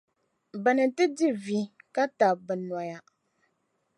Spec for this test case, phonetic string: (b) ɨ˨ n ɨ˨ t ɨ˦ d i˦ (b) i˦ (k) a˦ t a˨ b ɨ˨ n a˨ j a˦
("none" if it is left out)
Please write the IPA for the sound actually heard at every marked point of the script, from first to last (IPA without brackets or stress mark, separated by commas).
b, v, k